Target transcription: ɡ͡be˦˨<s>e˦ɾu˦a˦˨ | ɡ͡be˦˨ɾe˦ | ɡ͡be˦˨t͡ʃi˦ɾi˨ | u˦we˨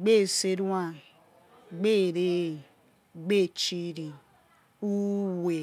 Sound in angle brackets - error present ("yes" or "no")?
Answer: no